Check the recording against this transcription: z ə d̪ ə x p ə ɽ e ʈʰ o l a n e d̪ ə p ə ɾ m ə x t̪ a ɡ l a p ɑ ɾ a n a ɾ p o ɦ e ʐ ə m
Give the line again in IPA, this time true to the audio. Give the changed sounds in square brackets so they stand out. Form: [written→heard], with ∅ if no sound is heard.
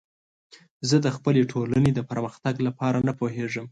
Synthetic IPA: z ə d̪ ə x p ə [ɽ→l] e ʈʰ o l a n e d̪ ə p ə ɾ m ə x t̪ a ɡ l a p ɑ ɾ a n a [ɾ→∅] p o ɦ e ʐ ə m